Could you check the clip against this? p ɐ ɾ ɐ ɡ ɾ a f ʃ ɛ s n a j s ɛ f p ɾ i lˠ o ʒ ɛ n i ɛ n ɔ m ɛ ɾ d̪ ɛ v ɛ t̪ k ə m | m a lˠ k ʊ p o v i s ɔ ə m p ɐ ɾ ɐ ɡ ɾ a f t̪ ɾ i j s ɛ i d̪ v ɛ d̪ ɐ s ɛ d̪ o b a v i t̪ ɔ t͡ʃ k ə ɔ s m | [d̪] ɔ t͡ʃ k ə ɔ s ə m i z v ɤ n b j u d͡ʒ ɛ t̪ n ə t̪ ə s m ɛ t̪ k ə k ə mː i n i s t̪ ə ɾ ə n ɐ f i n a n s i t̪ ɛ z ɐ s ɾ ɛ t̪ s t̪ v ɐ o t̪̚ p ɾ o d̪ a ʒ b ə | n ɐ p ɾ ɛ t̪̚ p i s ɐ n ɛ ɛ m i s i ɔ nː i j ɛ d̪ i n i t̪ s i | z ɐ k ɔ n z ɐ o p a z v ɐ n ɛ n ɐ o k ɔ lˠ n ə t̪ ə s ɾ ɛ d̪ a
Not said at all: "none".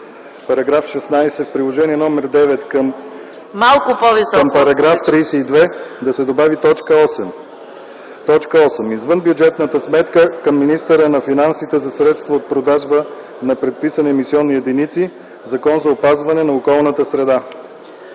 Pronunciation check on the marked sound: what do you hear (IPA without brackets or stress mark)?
t̪